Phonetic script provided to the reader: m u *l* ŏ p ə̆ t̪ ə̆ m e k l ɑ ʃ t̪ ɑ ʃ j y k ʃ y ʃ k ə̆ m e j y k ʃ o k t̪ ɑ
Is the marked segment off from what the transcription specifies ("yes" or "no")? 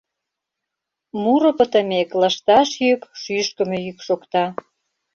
yes